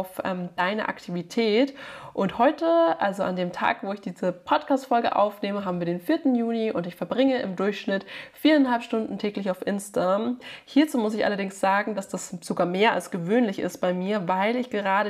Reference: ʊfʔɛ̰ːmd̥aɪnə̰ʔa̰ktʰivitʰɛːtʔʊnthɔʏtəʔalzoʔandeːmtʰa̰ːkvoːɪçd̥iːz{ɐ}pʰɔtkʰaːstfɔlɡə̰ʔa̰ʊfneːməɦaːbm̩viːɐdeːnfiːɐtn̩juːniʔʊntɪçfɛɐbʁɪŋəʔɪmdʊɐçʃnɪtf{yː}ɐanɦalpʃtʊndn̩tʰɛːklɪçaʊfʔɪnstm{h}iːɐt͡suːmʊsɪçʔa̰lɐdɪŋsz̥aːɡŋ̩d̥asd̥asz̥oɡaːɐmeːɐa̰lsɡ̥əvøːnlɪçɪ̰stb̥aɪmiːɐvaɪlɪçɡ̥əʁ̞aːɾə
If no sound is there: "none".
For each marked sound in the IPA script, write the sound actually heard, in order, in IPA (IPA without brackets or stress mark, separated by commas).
ə, iː, h